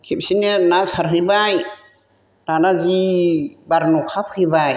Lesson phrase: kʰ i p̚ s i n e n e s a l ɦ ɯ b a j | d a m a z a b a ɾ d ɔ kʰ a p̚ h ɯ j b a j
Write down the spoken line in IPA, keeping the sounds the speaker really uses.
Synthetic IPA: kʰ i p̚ s i n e n a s a ɾ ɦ ɯ b a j | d a n a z i b a ɾ n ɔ kʰ a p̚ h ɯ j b a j